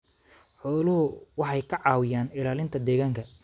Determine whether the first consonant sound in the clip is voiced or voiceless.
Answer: voiceless